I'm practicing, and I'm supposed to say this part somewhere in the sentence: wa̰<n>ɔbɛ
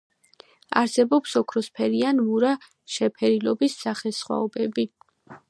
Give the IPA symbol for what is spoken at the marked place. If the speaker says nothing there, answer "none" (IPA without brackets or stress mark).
none